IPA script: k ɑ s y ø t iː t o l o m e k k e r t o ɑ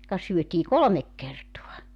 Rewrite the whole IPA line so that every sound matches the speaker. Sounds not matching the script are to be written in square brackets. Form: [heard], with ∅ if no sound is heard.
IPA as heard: k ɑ s y ø t iː [k] o l o m e k k e r t o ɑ